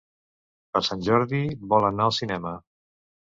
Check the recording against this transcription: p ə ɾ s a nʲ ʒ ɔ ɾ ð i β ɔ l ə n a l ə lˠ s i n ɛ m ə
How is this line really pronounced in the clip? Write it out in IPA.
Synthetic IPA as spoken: p ə ɾ s a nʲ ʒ ɔ ɾ ð i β ɔ l ə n a ə lˠ s i n ɛ m ə